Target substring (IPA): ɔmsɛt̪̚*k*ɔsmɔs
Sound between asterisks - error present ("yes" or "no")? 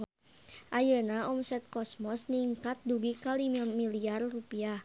no